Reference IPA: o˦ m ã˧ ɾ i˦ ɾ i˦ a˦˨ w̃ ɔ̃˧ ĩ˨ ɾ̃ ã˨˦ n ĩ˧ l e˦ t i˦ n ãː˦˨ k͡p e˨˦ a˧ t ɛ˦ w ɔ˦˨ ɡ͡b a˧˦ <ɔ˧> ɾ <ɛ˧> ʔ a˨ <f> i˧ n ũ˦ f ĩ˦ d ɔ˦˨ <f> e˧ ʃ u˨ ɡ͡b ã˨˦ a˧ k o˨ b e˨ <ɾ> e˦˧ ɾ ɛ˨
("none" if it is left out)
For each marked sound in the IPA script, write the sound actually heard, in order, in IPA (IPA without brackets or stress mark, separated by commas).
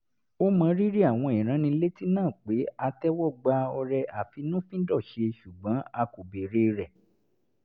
ɔ˧, ɛ˧, f, ʃ, ɾ